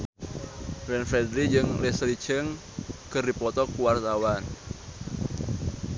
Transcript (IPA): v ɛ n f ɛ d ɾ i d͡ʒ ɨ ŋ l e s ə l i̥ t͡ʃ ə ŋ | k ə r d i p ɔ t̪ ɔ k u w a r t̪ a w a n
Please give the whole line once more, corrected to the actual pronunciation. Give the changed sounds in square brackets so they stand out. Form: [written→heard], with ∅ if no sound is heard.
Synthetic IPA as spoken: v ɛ n f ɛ d ɾ i d͡ʒ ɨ ŋ l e s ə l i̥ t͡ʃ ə ŋ | k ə r d i p ɔ t̪ ɔ k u w a r t̪ a w a n